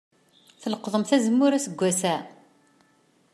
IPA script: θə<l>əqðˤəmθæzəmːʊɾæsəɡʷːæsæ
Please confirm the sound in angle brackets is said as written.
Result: yes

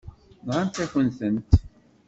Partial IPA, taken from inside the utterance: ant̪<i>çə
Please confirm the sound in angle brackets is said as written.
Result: no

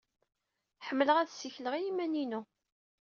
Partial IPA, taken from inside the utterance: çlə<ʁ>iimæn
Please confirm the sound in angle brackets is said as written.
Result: yes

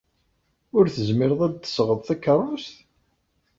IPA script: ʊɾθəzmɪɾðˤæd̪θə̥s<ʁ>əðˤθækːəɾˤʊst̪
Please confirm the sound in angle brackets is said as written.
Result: yes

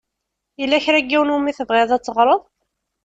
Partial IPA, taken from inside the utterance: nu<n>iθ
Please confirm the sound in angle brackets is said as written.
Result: no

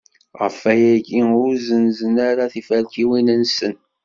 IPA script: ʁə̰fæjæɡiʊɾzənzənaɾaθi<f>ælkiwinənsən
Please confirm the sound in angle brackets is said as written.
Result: yes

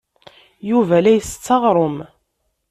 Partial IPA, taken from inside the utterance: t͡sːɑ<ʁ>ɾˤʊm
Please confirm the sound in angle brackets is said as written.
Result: yes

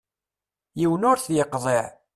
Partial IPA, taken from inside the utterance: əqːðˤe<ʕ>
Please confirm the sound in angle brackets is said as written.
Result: yes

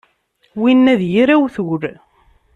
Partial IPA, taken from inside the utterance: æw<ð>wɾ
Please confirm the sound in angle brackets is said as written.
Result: no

